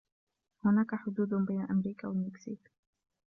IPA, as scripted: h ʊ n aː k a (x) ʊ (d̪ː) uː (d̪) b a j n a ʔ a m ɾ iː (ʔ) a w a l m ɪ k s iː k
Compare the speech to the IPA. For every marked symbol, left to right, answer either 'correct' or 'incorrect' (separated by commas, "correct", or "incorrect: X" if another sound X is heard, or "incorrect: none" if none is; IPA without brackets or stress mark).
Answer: incorrect: ħ, incorrect: d̪, correct, incorrect: k